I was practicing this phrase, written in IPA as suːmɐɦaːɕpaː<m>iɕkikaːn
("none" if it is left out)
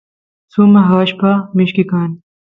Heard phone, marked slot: m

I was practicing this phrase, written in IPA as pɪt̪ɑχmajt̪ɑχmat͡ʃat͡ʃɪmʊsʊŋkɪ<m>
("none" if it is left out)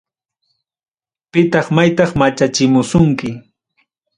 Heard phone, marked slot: none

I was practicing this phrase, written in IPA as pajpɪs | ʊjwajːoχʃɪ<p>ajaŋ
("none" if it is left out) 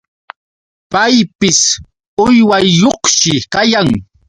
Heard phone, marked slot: k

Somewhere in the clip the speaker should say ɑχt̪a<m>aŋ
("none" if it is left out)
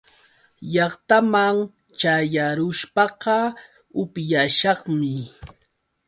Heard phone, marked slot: m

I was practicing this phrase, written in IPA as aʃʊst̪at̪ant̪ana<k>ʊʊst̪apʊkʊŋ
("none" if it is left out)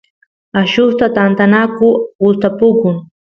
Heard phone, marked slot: k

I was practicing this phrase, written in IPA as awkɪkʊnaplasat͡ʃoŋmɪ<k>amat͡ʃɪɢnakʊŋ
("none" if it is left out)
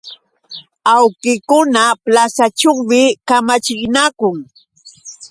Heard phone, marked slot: k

